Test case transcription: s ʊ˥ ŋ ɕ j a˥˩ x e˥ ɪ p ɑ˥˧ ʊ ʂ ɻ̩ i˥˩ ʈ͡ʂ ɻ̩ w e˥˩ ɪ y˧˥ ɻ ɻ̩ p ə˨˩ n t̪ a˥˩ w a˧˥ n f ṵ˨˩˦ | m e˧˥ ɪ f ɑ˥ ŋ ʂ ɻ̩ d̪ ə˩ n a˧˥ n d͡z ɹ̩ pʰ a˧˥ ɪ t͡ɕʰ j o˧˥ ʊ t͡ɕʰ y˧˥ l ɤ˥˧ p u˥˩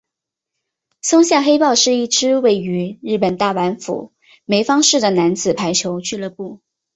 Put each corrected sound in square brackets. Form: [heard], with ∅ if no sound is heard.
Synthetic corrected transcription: s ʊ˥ ŋ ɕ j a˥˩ x e˥ ɪ p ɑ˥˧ ʊ ʂ ɻ̩ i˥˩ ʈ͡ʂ ɻ̩ w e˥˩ ɪ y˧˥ ɻ ɻ̩ p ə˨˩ n t̪ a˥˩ w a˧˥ n f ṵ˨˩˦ | m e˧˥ ɪ f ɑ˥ ŋ ʂ ɻ̩ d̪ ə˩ n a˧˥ n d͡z ɹ̩ pʰ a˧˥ ɪ t͡ɕʰ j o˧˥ ʊ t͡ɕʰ [y˥˧] l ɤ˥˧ p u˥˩